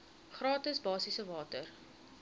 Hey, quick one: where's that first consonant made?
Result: uvula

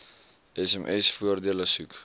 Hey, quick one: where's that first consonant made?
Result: tongue tip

